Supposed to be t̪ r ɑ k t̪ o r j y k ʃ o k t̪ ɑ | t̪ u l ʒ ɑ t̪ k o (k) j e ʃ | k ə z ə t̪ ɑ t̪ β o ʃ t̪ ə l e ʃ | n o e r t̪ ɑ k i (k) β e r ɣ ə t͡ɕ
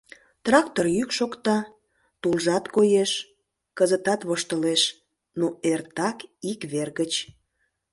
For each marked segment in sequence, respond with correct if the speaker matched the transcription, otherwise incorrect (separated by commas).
incorrect, correct